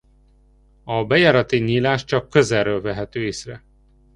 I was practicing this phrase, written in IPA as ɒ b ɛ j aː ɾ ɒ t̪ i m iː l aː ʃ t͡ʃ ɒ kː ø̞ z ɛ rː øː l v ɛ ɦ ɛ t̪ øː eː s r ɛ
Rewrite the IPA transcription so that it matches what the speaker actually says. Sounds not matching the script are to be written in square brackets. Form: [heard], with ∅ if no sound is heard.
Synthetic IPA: ɒ b ɛ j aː ɾ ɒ t̪ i [ɲ] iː l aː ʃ t͡ʃ ɒ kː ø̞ z ɛ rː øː l v ɛ ɦ ɛ t̪ øː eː s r ɛ